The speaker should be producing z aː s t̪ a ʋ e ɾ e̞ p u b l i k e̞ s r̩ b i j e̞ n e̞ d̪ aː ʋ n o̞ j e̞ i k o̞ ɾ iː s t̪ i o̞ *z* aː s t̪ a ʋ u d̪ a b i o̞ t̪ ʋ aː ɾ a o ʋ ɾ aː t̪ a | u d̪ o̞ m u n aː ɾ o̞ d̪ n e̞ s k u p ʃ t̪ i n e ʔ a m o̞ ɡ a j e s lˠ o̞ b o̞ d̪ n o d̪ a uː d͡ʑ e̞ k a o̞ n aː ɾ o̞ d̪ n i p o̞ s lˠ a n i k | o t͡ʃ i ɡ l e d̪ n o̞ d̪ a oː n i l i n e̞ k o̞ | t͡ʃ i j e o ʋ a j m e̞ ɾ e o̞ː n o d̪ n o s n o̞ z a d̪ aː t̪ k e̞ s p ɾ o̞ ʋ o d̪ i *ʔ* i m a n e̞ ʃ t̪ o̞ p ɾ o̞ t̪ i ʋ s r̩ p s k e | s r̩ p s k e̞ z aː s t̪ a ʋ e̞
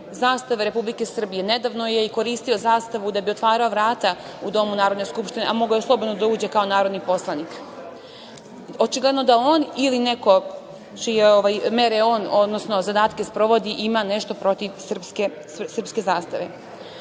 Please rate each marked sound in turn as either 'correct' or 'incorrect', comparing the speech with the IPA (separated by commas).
correct, correct